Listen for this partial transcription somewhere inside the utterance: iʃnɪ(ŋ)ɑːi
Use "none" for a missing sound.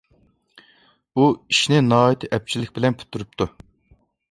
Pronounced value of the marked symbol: n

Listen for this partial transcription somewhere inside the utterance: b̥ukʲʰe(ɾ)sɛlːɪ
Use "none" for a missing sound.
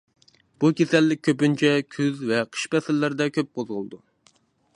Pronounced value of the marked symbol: none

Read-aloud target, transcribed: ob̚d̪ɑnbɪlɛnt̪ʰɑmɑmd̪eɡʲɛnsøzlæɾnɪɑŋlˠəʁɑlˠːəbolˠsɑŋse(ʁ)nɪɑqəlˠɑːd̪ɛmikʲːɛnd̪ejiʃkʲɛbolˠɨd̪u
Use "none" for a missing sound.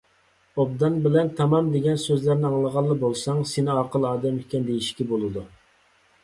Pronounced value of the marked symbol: none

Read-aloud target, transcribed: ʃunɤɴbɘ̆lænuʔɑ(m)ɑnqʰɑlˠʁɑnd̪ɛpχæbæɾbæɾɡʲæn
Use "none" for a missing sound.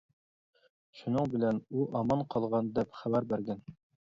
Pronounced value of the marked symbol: m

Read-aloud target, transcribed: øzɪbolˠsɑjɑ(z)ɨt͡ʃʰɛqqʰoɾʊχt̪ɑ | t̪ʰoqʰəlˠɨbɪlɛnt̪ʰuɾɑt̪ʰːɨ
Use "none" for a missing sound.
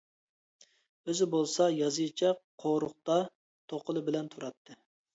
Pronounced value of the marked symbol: z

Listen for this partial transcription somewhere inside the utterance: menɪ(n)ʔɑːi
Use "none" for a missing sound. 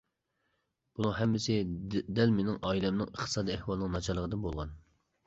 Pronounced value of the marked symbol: ŋ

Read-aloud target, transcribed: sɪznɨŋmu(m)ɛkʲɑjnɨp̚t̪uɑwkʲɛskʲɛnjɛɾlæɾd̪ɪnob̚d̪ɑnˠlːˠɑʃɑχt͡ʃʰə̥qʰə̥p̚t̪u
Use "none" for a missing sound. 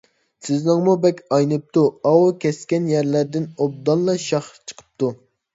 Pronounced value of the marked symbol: b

